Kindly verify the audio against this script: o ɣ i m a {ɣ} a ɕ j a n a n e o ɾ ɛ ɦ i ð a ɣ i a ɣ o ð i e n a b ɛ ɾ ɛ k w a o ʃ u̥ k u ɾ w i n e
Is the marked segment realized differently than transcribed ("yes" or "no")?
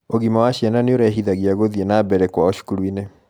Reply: yes